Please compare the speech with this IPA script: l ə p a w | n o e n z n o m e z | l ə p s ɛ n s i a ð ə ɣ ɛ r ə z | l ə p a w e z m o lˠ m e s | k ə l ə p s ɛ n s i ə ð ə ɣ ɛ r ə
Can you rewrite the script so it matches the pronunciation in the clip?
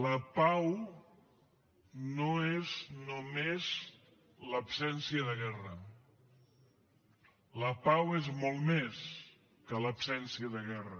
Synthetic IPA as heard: l ə p a w | n o e z n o m e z | l ə p s ɛ n s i ə ð ə ɣ ɛ r ə | l ə p a w e z m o lˠ m e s | k ə l ə p s ɛ n s i ə ð ə ɣ ɛ r ə